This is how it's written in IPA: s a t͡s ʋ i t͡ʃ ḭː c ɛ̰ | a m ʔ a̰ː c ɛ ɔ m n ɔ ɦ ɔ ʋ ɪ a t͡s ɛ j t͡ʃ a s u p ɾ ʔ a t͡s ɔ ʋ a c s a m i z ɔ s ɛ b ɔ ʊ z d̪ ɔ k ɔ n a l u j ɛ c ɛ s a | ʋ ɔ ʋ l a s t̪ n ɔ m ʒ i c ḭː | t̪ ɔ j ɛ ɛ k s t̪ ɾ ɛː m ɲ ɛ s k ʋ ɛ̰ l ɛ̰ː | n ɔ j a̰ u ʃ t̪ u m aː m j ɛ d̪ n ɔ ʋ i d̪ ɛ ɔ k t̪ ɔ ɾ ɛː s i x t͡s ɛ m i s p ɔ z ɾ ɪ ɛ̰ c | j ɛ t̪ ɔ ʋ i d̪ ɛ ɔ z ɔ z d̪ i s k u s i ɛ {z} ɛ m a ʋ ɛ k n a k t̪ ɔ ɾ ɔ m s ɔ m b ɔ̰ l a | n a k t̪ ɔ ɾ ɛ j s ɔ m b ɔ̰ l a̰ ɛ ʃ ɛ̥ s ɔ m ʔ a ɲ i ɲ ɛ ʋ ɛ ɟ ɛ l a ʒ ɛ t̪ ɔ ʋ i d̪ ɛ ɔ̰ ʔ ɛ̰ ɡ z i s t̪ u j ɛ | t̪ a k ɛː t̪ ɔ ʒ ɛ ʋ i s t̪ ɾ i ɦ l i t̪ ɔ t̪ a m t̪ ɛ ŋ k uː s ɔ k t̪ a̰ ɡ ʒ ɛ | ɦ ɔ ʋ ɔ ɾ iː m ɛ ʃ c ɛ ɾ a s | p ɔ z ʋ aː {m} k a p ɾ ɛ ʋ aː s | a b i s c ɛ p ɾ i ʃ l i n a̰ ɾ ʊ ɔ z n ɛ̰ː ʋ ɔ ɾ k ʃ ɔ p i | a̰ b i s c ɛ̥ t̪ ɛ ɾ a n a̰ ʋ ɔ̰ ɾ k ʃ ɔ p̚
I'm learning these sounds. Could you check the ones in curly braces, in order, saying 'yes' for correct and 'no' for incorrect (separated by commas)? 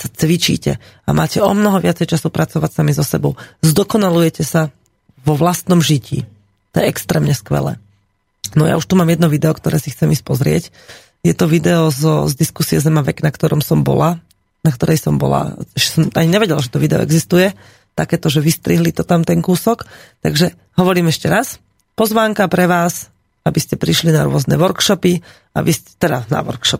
yes, no